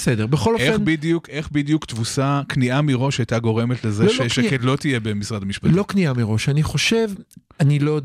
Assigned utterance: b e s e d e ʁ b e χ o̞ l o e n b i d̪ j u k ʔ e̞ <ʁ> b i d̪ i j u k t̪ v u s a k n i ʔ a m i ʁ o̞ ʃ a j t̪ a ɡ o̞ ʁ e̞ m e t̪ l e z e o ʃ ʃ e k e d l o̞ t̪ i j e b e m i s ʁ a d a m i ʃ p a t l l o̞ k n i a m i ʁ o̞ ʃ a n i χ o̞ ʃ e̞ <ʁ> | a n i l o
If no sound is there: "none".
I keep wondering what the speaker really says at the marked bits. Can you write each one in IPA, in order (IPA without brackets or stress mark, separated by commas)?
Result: χ, v